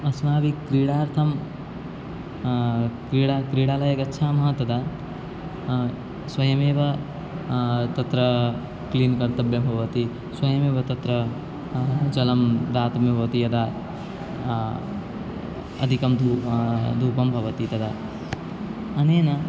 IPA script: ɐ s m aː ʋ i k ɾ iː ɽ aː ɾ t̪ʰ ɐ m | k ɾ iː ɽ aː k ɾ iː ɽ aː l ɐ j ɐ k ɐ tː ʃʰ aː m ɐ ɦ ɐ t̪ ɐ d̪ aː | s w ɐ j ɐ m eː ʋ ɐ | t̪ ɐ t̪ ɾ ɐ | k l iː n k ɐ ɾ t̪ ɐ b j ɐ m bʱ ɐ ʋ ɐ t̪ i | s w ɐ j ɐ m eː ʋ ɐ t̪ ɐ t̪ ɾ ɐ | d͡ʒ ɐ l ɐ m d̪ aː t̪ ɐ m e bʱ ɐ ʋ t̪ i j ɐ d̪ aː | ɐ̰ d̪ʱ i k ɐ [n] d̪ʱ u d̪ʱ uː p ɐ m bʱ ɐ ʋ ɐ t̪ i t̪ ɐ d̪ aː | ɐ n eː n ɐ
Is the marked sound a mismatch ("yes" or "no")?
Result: yes